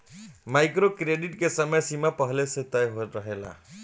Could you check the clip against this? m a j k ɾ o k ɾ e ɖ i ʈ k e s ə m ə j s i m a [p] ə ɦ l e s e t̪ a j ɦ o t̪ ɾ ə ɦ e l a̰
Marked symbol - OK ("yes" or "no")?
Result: yes